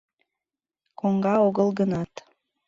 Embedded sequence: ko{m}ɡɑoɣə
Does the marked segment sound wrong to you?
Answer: yes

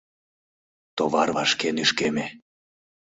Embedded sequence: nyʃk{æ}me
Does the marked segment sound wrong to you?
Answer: yes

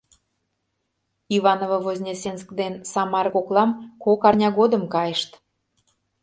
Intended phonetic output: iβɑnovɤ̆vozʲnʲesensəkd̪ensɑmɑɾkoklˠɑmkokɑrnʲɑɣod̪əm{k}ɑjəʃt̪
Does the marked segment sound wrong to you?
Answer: no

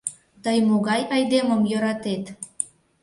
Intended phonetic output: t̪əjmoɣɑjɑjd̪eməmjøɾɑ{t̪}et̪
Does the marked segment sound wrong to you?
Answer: no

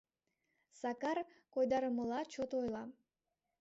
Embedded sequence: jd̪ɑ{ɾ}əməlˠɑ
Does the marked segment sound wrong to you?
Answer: no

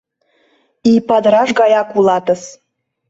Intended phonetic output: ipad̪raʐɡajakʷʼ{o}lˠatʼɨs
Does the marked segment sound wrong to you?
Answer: yes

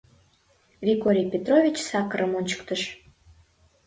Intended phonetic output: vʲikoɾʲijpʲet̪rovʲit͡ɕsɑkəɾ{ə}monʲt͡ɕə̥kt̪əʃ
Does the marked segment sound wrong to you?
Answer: no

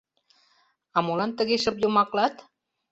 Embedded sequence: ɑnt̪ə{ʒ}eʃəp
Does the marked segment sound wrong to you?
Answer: yes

